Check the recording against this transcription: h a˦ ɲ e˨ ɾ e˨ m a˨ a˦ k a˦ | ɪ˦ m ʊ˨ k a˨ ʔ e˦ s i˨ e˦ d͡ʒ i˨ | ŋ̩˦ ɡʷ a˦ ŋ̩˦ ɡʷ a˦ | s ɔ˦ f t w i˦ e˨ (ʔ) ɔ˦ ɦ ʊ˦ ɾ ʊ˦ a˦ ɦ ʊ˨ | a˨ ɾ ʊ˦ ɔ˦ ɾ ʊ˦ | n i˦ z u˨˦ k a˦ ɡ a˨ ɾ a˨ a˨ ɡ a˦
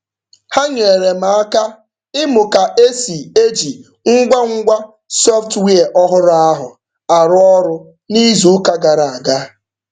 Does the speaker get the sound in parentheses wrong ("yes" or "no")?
no